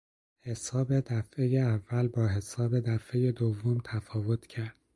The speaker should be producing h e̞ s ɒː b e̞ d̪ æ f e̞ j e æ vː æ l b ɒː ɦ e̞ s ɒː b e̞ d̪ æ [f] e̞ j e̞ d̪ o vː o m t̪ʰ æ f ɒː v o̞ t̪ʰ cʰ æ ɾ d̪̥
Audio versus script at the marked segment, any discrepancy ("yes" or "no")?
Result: no